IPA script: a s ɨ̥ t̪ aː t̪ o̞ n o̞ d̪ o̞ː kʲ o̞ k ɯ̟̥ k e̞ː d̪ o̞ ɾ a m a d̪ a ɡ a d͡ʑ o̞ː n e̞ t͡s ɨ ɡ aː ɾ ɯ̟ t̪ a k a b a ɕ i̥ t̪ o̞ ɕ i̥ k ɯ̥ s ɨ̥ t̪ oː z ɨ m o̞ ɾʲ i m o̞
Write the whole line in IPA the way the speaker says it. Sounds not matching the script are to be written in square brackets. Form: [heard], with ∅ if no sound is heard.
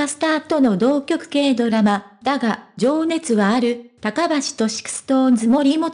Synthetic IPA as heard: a s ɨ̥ t̪ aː t̪ o̞ n o̞ d̪ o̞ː kʲ o̞ k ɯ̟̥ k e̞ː d̪ o̞ ɾ a m a d̪ a ɡ a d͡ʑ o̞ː n e̞ t͡s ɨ ɡ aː ɾ ɯ̟ t̪ a k a b a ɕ i̥ t̪ o̞ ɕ i̥ k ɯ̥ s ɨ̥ t̪ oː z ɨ m o̞ ɾʲ i m o̞